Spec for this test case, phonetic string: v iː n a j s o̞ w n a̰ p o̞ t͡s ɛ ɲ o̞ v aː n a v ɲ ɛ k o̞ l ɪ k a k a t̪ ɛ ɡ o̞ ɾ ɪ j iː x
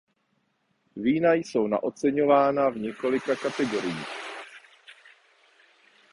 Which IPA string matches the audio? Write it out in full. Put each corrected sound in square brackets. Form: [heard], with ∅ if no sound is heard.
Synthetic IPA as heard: v iː n a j s o̞ w n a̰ [ʔ] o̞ t͡s ɛ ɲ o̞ v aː n a v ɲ ɛ k o̞ l ɪ k a k a t̪ ɛ ɡ o̞ ɾ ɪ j iː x